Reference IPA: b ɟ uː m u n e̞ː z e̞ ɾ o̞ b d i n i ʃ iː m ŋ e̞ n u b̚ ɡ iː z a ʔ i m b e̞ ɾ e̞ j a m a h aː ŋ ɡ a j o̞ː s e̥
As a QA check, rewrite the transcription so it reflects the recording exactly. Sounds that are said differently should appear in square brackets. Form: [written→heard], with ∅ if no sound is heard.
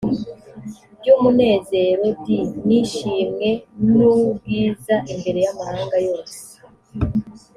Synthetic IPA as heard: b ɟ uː m u n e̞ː z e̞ ɾ o̞ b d i n i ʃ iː m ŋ e̞ n u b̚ ɡ iː z a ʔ i m b e̞ ɾ e̞ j a m a h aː ŋ ɡ a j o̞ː s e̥

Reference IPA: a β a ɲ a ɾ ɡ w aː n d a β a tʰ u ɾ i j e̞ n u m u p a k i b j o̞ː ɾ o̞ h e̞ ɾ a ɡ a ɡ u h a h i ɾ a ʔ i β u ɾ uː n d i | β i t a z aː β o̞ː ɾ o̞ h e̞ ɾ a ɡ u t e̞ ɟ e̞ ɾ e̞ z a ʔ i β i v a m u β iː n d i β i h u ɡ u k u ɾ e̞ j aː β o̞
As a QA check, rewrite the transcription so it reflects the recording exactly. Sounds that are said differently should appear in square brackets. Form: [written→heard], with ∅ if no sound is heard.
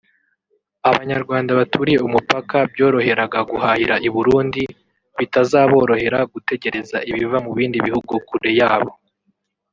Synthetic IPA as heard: a β a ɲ a ɾ ɡ w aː n d a β a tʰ u ɾ i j e̞ [n→∅] u m u p a k [i→a] b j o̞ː ɾ o̞ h e̞ ɾ a ɡ a ɡ u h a h i ɾ a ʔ i β u ɾ uː n d i | β i t a z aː β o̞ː ɾ o̞ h e̞ ɾ a ɡ u t e̞ ɟ e̞ ɾ e̞ z a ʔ i β i v a m u β iː n d i β i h u ɡ u k u ɾ e̞ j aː β o̞

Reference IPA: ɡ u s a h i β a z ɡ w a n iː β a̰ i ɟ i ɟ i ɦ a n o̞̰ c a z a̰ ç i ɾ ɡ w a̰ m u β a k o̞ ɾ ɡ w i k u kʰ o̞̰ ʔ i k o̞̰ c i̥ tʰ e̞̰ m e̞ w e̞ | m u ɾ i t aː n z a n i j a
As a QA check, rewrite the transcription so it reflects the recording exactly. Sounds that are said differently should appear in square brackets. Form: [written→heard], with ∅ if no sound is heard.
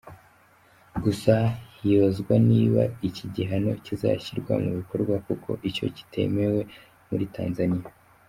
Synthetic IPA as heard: ɡ u s a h i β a z ɡ w a n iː β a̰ i [ɟ→c] i ɟ i ɦ a n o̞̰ c [a→i] z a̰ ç i ɾ ɡ w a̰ m u β [a→i] k o̞ ɾ ɡ w [i→a] k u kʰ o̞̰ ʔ i [k→c] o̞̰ c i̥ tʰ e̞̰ m e̞ w e̞ | m u ɾ i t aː n z a n i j a

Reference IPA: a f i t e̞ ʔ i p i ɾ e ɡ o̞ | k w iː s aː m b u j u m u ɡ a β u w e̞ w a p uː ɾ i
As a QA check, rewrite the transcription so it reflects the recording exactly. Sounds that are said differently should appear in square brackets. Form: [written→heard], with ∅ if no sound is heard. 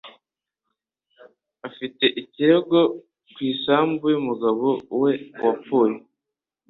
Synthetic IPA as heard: a f i t e̞ ʔ i [p→c] i ɾ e ɡ o̞ | k w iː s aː m b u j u m u ɡ a β [u→o] w e̞ w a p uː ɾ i

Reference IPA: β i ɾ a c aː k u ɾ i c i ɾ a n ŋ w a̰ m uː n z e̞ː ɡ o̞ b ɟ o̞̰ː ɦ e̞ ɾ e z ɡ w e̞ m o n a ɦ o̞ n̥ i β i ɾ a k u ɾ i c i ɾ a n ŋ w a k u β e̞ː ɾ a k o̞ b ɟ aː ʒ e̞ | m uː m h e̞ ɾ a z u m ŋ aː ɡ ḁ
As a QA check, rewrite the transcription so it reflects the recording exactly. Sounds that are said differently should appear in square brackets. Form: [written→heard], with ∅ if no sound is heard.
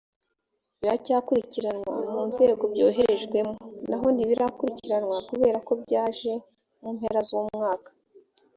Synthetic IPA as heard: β i ɾ a c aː k u ɾ i c i ɾ a n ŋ w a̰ m uː n z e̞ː ɡ o̞ b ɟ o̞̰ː ɦ e̞ ɾ e [z→ʒ] ɡ w e̞ m o n a ɦ o̞ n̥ i β i ɾ a k u ɾ i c i ɾ a n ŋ w a k u β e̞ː ɾ a k o̞ b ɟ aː ʒ e̞ | m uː m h e̞ ɾ a z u m ŋ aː [ɡ→k] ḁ

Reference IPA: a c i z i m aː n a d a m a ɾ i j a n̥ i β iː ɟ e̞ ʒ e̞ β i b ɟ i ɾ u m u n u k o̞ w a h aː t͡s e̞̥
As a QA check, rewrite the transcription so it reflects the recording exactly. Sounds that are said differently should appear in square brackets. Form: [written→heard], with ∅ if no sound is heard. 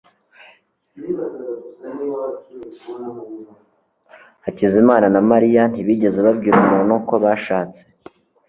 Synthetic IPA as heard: a c i z i m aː n a [d→n] a m a ɾ i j a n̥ i β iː ɟ e̞ [ʒ→z] e̞ β [i→a] b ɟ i ɾ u m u n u k o̞ [w→β] a [h→ʃ] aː t͡s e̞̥

